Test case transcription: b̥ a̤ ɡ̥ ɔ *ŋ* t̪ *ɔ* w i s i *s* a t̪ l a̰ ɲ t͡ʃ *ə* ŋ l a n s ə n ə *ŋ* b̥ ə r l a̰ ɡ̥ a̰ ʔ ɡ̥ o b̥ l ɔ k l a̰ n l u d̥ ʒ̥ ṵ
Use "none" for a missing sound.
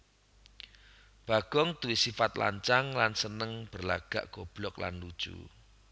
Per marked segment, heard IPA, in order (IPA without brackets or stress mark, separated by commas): ŋ, u, f, a, ŋ